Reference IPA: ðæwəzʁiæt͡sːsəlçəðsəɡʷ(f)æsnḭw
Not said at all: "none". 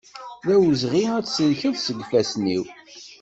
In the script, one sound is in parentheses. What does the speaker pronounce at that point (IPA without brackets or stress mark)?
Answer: f